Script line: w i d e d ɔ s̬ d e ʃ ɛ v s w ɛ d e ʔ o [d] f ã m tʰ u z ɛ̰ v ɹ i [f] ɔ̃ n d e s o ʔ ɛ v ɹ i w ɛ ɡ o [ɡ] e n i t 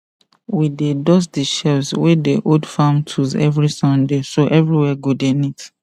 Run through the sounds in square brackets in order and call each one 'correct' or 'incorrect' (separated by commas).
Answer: correct, incorrect, incorrect